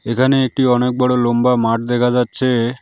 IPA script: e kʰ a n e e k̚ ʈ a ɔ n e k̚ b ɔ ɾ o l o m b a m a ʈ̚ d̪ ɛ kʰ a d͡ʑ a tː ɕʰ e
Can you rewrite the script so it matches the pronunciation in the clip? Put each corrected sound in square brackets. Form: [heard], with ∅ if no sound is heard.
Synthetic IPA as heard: e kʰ a n e e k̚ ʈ [i] ɔ n e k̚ b ɔ [ɽ] o l o m b a m a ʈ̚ d̪ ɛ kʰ a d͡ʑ a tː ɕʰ e